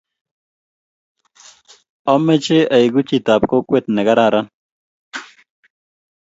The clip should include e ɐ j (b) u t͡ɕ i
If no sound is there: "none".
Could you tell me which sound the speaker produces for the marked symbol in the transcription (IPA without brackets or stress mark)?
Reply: ɡ